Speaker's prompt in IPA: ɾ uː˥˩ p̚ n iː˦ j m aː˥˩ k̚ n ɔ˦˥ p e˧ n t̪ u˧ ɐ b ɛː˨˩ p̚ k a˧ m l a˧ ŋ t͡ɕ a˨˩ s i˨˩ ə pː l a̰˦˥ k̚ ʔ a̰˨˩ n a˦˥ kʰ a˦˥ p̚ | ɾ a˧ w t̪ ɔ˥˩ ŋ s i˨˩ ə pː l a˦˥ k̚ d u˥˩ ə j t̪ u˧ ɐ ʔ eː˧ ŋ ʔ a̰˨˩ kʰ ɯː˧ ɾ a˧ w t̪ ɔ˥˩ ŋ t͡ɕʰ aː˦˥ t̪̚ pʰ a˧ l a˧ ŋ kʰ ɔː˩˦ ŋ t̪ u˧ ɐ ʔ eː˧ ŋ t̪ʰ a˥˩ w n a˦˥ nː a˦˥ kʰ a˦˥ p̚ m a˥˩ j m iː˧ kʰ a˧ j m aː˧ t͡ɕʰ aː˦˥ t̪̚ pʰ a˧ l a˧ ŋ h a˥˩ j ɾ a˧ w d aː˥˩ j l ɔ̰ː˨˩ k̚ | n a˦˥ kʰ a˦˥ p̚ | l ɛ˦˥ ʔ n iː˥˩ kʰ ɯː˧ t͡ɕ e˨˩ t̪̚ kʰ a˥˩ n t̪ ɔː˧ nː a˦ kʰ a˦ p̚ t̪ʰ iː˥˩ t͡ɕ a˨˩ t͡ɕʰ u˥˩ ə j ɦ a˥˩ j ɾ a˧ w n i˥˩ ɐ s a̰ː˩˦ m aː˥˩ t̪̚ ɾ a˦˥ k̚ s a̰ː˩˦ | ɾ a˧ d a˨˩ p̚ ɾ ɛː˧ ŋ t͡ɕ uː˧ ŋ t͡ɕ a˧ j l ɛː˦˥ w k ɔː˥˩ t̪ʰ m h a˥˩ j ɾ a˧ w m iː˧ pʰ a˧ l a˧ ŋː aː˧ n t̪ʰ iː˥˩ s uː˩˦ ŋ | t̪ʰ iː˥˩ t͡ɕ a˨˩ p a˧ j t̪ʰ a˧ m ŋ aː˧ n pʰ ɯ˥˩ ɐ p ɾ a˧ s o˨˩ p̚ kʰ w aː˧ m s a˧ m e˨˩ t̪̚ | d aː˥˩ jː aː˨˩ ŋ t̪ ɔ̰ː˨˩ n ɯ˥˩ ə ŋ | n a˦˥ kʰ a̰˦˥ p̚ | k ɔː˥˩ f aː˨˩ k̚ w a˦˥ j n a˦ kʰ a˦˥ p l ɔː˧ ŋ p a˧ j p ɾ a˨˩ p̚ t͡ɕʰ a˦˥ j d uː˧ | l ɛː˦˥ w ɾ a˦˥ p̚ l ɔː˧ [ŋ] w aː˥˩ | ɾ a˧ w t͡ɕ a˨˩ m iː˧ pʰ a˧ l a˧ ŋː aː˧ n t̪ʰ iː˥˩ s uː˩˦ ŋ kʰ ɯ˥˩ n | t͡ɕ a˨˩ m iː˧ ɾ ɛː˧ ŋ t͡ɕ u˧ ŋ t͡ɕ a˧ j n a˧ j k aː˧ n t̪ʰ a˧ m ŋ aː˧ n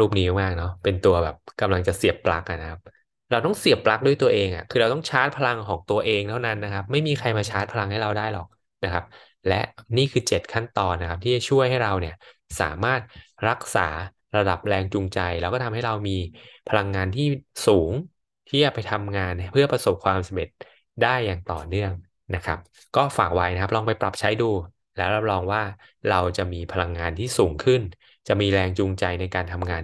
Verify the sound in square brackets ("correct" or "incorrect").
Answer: correct